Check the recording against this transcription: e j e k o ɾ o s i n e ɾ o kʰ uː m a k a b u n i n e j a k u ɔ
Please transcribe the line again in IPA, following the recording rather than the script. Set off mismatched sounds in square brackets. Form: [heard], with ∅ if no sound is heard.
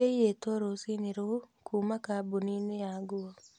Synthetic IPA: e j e [t] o ɾ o s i n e ɾ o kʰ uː m a k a b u n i n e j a [ɡ] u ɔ